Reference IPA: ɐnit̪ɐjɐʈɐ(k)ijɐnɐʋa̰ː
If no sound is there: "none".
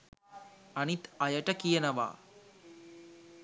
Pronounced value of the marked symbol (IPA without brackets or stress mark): k